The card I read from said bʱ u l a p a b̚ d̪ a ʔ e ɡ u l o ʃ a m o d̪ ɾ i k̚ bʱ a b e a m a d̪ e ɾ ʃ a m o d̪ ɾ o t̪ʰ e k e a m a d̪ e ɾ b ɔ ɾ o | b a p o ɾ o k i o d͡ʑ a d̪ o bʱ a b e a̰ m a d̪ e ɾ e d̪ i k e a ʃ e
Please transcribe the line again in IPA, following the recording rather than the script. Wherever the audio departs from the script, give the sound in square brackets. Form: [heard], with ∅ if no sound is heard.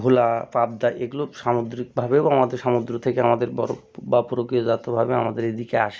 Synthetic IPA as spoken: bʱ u l a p a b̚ d̪ a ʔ e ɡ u l o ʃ a m o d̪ ɾ i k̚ bʱ a b e a m a d̪ e ɾ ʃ a m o d̪ ɾ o t̪ʰ e k e a m a d̪ e ɾ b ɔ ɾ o | b a p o ɾ o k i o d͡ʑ a [t̪] o bʱ a b e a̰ m a d̪ e ɾ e d̪ i k e a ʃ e

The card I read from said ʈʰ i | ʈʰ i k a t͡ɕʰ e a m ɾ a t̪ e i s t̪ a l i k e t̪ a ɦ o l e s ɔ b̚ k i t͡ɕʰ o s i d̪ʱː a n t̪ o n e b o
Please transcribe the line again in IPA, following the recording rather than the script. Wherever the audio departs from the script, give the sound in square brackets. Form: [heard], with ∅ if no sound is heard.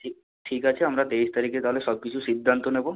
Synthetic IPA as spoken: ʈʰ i | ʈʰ i k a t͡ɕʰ e a m ɾ a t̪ e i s t̪ a [ɾ] i k e t̪ a ɦ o l e s ɔ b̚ k i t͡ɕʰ [u] s i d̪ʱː a n t̪ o n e b o

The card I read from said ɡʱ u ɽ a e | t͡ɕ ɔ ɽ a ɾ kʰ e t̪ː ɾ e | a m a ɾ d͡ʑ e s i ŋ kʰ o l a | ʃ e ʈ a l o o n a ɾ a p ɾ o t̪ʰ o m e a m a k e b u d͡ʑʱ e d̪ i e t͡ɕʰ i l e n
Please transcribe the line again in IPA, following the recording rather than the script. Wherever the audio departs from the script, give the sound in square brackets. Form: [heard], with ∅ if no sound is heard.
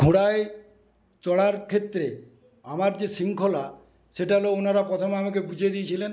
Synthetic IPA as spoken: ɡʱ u ɽ a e | t͡ɕ ɔ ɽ a ɾ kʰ e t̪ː ɾ e | a m a ɾ d͡ʑ e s i ŋ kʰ o l a | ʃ e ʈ a l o o n a ɾ a p ɾ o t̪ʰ o m e a m a k e b u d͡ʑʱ e d̪ i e t͡ɕʰ i l e n

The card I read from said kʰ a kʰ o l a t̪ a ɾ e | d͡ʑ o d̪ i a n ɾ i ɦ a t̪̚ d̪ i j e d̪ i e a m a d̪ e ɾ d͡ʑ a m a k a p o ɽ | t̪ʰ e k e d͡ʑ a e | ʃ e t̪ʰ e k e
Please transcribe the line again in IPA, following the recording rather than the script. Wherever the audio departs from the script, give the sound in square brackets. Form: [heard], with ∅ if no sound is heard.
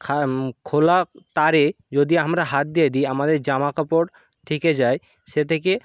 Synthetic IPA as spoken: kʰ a kʰ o l a t̪ a ɾ e | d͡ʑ o d̪ i a [m] ɾ [a] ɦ a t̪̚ d̪ i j e d̪ i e a m a d̪ e ɾ d͡ʑ a m a k a p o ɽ | t̪ʰ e k e d͡ʑ a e | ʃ e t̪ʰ e k e

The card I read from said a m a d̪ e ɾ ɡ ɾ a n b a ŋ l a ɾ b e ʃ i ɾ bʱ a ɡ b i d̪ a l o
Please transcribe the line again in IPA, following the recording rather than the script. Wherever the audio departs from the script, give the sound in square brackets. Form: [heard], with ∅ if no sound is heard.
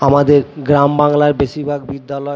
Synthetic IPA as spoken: a m a d̪ e ɾ ɡ ɾ a [m] b a ŋ l a ɾ b e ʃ i ɾ bʱ a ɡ b i [d̪ː] a l [ɔ]

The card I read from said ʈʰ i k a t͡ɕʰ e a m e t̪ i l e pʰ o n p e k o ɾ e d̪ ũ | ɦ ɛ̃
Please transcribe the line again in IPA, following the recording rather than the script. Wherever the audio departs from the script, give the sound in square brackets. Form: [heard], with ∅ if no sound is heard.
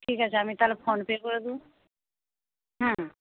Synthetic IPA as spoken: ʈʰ i k a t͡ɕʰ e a m [i] t̪ [a] l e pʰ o n p e k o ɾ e d̪ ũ | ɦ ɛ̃

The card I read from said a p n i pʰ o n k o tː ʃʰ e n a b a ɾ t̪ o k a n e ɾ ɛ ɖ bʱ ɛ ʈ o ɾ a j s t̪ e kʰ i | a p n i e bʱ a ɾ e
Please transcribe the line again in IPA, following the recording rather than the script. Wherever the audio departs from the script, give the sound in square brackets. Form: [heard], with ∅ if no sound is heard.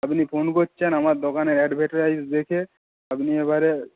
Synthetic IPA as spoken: a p n i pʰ o n k o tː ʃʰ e n a [m] a ɾ [d̪] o k a n e ɾ ɛ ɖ bʱ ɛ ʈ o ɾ a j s [d̪] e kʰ [e] | a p n i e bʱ a ɾ e

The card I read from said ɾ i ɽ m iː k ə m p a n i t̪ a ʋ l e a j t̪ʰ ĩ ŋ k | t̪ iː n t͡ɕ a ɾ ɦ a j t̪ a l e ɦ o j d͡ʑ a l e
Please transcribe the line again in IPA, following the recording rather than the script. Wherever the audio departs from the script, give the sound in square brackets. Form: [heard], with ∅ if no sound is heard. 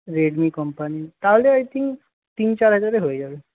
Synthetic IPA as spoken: ɾ [e] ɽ m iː k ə m p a n i t̪ a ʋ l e a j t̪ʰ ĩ ŋ k | t̪ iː n t͡ɕ a ɾ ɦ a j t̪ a [ɾ] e ɦ o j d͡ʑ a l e

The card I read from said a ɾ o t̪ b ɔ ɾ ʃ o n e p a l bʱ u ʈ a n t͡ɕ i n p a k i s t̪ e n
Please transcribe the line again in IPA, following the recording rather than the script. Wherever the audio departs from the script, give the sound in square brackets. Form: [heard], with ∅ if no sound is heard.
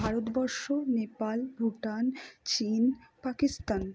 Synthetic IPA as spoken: a ɾ o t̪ b ɔ ɾ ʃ o n e p a l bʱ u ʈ a n t͡ɕ i n p a k i s t̪ [a] n

